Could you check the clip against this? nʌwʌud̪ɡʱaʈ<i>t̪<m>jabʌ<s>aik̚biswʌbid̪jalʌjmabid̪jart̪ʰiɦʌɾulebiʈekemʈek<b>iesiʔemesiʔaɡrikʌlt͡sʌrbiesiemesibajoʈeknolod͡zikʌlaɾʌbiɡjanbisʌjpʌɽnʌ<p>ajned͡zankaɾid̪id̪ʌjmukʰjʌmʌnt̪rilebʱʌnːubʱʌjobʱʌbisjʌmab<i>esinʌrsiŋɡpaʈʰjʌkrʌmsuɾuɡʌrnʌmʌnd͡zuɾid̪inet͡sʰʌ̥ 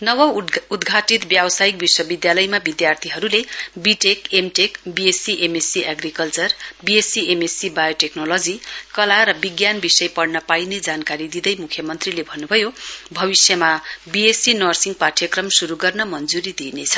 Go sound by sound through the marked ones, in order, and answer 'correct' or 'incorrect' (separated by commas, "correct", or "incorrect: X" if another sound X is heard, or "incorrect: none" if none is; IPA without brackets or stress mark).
correct, incorrect: b, correct, correct, correct, correct